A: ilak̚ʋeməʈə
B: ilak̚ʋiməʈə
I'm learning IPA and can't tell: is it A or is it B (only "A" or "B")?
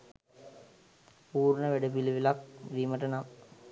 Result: B